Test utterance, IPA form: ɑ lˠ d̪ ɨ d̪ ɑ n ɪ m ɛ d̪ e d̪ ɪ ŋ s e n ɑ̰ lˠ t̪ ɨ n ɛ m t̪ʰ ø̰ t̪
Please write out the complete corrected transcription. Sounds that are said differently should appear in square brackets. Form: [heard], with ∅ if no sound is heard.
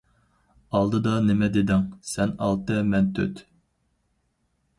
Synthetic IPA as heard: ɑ lˠ d̪ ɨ d̪ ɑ n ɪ m ɛ d̪ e d̪ ɪ ŋ s [ɛ] n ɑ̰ lˠ t̪ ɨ [m] ɛ [n] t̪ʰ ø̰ t̪